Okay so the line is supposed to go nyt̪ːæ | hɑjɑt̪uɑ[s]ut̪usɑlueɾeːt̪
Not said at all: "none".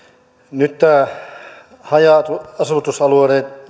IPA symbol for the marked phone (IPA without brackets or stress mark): s